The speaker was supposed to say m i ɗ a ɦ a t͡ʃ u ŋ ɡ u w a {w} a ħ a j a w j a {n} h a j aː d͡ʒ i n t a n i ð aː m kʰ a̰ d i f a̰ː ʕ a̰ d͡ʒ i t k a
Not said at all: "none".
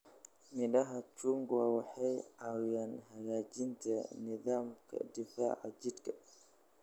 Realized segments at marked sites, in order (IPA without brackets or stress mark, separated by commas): w, n